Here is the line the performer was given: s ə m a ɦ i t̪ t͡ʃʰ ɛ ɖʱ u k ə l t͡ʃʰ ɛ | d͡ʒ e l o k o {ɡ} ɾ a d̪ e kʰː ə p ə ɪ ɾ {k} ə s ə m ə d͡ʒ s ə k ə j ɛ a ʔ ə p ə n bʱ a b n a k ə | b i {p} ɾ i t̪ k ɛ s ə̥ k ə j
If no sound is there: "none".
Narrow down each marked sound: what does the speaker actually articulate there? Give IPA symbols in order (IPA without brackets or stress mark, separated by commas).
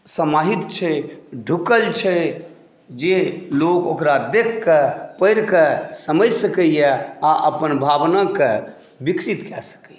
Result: k, k, k